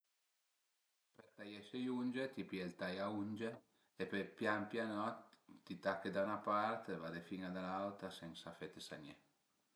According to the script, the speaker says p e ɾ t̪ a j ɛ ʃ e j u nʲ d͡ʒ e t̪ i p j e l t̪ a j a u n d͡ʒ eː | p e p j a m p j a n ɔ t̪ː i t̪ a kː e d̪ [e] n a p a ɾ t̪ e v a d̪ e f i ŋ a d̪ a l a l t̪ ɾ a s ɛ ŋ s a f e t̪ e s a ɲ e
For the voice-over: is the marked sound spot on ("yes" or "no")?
no